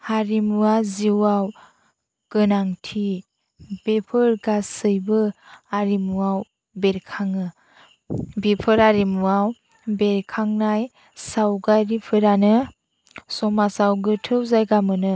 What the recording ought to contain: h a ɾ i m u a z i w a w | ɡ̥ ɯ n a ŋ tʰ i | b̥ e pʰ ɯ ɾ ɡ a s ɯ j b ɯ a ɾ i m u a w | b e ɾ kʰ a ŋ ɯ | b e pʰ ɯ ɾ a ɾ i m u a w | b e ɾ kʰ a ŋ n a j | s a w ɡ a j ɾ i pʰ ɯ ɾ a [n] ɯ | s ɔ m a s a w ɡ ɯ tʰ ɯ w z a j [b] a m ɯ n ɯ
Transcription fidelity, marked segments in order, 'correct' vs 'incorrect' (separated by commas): correct, incorrect